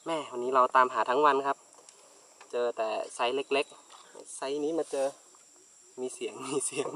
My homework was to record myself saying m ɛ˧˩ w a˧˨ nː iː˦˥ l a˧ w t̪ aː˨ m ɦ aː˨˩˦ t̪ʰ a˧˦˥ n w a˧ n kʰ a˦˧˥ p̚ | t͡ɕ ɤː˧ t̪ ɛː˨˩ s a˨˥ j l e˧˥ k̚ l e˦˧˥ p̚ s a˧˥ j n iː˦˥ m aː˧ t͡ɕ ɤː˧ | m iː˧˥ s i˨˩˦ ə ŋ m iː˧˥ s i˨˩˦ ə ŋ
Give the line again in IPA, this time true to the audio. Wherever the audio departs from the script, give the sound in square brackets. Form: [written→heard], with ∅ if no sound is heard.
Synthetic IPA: m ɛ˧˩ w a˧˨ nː iː˦˥ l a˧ w t̪ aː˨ m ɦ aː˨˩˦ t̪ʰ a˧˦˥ [n→ŋ] w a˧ n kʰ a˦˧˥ p̚ | t͡ɕ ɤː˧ t̪ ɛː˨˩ s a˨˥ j l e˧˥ k̚ l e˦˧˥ [p̚→k̚] s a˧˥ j n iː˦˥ m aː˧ t͡ɕ ɤː˧ | m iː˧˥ s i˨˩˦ ə ŋ m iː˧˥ s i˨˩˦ ə ŋ